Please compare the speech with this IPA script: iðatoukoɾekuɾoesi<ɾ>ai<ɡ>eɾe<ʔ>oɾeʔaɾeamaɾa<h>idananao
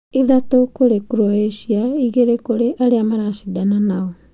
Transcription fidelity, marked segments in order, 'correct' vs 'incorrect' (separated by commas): incorrect, correct, incorrect, incorrect